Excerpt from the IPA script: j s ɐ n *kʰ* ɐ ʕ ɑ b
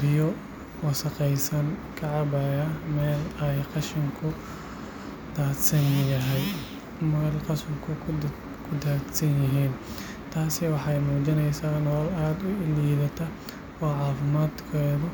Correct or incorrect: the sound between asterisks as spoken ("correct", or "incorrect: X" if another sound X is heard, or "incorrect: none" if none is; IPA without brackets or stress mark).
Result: correct